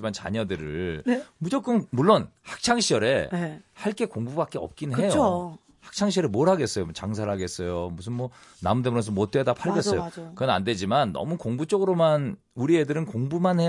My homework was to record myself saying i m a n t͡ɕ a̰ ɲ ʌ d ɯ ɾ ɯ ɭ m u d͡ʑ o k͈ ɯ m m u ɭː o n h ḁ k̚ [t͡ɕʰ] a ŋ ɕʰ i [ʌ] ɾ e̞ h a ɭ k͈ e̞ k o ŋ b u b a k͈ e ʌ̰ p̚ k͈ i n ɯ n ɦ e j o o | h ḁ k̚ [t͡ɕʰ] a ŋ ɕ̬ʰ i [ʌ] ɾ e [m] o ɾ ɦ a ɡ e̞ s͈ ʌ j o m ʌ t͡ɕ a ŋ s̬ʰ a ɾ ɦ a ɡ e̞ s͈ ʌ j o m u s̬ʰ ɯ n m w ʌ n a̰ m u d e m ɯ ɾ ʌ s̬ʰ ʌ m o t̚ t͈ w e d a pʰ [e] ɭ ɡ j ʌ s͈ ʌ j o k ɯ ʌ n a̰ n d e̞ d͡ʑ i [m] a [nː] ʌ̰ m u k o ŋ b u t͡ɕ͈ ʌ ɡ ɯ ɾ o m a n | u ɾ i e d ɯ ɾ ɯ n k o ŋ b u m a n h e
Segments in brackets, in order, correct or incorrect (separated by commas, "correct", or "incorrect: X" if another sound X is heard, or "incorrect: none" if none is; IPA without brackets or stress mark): correct, correct, correct, correct, correct, incorrect: a, correct, correct